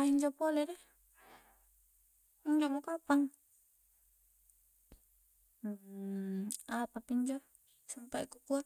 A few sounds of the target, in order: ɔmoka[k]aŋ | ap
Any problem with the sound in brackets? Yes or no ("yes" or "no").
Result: yes